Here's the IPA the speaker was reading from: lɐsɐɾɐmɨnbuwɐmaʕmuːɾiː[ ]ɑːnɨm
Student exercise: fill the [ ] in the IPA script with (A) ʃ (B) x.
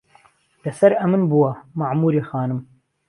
B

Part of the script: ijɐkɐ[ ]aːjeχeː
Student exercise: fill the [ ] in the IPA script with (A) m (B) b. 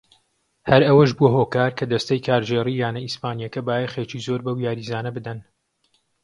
B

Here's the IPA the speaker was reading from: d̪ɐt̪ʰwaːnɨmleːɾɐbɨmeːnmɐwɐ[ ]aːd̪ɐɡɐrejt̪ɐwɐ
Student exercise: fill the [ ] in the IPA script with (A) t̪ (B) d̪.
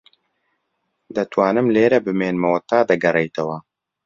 A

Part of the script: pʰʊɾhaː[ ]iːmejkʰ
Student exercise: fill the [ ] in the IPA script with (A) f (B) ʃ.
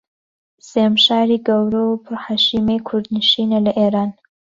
B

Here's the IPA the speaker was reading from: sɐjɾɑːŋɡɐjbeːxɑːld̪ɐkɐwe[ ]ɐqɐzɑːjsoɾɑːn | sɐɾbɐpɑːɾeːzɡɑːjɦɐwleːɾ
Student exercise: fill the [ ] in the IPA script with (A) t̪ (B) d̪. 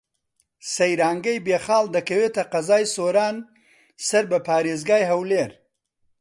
A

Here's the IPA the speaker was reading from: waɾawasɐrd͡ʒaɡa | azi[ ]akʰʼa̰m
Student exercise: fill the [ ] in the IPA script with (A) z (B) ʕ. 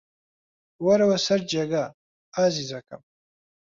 A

